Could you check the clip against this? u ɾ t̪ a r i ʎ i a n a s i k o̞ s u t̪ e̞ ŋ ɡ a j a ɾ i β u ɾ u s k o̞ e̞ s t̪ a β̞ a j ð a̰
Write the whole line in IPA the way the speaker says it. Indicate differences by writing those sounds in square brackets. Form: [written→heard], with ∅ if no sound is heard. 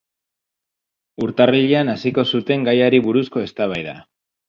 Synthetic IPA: u ɾ t̪ a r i ʎ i a n a s i k o̞ s u t̪ e̞ ŋ ɡ a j a ɾ i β u ɾ u s k o̞ e̞ s t̪ a β̞ a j ð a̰